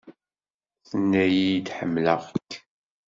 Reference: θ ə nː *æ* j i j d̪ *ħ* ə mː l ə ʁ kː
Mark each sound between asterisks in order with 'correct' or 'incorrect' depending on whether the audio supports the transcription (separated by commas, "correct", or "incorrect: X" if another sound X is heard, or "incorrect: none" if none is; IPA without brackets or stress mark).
correct, correct